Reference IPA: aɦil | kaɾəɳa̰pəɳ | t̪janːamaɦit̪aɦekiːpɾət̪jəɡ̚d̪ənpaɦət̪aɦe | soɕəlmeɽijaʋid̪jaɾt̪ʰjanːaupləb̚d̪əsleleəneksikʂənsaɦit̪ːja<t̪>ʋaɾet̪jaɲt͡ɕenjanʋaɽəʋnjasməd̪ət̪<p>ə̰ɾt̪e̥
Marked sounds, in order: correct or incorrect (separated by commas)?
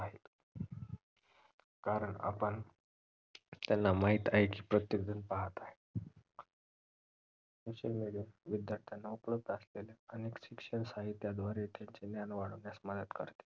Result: incorrect, incorrect